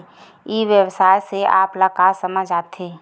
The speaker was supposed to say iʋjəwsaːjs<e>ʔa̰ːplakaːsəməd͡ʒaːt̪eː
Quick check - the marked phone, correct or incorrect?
correct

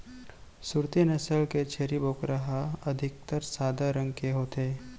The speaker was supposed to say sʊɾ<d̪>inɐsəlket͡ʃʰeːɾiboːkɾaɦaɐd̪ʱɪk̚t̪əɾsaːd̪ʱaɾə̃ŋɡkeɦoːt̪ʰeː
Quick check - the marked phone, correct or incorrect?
incorrect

